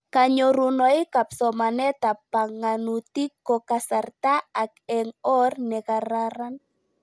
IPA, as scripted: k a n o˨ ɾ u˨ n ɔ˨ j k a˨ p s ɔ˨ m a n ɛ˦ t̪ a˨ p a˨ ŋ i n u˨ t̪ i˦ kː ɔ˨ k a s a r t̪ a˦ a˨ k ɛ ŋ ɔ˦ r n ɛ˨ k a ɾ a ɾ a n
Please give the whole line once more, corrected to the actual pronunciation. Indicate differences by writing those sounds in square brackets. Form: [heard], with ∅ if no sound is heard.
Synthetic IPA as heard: k a [ɲ] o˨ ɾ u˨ n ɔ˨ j k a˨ p s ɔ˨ m a n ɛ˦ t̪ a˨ p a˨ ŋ [a] n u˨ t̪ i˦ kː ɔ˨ k a s a r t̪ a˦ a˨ k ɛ ŋ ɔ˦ r n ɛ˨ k a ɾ a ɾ a n